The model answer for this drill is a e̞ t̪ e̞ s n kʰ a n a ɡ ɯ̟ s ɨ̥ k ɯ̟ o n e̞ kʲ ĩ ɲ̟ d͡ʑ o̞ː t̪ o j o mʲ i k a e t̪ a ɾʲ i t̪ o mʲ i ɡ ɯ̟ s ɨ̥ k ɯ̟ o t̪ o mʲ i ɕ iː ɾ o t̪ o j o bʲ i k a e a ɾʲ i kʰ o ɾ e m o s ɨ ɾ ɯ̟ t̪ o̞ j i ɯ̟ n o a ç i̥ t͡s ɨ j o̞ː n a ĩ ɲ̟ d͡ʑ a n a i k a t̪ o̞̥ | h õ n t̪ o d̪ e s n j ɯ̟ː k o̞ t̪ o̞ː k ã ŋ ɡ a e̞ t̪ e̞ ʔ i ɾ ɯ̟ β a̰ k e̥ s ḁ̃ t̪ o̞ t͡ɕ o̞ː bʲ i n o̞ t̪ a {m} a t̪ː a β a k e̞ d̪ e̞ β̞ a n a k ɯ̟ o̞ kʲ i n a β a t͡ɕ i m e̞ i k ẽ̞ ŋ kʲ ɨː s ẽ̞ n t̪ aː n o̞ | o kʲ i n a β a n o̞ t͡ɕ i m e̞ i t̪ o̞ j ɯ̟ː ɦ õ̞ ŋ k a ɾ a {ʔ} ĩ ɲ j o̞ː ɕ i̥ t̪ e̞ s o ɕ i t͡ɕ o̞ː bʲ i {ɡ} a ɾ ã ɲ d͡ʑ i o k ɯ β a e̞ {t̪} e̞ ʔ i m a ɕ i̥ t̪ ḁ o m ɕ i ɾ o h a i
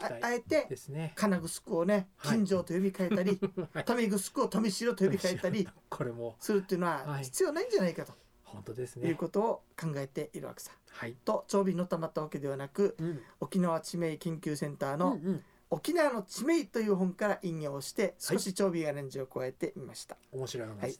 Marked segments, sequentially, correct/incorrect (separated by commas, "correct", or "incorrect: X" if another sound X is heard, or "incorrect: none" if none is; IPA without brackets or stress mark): correct, correct, correct, correct